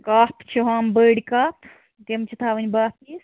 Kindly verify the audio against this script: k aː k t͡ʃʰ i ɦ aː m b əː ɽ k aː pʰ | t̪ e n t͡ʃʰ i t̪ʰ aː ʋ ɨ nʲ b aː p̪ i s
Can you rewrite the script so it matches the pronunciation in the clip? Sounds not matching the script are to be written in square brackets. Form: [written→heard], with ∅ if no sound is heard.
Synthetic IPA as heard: k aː [k→p] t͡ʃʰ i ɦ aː m b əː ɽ k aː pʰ | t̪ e [n→m] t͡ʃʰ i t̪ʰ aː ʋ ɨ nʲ b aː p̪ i s